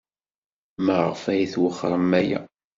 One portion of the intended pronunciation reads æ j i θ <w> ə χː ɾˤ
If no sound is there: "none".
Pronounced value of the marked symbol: w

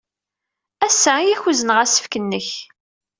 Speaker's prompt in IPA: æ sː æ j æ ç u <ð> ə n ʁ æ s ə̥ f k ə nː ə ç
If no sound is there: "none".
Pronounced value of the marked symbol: z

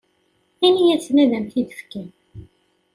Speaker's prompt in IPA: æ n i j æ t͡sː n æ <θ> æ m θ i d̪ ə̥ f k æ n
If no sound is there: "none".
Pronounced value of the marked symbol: ð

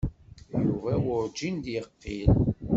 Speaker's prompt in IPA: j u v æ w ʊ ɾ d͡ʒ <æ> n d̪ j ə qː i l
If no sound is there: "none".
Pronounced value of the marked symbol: i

